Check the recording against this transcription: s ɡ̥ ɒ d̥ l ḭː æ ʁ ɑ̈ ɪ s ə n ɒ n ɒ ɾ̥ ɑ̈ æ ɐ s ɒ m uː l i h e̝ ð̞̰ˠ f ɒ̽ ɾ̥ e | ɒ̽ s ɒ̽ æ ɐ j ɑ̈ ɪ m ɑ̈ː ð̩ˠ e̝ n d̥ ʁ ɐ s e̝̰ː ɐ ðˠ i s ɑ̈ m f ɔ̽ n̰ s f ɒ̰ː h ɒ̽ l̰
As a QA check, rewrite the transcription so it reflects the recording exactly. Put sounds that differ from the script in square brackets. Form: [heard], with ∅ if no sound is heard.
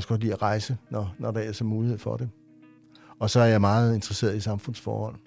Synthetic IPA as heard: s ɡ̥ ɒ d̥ l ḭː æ ʁ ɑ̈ ɪ s ə n ɒ n ɒ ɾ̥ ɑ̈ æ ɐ s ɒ m uː l i h e̝ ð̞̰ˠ f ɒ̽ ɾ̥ e | ɒ̽ s ɒ̽ æ ɐ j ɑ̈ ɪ m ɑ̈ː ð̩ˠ e̝ n d̥ ʁ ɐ s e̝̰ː ɐ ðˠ i s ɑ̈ m f ɔ̽ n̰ s f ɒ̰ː h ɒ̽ l̰